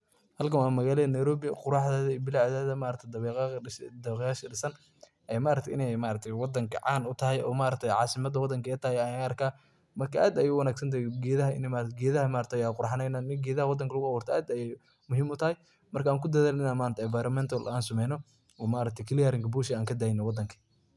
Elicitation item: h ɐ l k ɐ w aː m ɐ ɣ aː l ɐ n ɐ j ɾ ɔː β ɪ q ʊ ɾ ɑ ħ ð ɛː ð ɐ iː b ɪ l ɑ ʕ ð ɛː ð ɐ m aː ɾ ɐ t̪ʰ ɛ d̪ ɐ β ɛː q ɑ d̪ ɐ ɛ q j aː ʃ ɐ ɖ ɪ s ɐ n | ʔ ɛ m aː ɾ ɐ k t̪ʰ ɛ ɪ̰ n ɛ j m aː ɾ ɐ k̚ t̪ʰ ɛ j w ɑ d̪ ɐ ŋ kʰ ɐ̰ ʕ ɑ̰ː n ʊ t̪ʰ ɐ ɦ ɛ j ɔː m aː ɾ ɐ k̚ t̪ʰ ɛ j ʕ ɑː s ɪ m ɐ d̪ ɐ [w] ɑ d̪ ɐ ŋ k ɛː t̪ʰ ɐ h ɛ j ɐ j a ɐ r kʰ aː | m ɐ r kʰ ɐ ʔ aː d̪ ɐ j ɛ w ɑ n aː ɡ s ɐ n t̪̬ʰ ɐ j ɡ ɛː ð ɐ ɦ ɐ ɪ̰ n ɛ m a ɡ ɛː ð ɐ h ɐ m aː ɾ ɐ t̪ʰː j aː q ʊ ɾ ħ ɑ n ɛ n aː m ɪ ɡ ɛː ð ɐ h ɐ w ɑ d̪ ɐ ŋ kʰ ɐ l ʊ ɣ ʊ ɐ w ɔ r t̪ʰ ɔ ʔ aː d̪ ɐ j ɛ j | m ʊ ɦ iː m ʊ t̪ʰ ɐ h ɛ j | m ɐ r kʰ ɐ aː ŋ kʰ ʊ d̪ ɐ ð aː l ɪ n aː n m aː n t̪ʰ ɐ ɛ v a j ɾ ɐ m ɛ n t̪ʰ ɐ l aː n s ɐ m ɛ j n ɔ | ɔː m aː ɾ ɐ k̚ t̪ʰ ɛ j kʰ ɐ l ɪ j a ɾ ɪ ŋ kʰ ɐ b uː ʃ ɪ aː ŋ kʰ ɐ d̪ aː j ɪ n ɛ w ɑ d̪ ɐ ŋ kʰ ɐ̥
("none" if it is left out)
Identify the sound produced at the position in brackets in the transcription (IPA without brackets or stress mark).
w